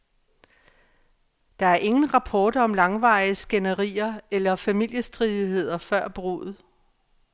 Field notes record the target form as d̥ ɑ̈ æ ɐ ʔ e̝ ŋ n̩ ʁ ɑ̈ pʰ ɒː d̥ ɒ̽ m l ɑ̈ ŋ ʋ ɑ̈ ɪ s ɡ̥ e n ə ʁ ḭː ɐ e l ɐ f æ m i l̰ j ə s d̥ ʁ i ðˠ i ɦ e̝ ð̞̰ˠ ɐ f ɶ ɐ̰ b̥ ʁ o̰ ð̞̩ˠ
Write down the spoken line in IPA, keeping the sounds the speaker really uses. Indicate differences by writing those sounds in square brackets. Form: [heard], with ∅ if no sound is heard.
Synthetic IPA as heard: d̥ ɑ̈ æ ɐ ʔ e̝ ŋ n̩ ʁ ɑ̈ pʰ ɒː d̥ ɒ̽ m l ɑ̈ ŋ ʋ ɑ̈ ɪ s ɡ̥ e n ə ʁ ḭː ɐ e l ɐ f æ m i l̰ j ə s d̥ ʁ i ðˠ i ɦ e̝ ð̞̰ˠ ɐ f ɶ ɐ̰ b̥ ʁ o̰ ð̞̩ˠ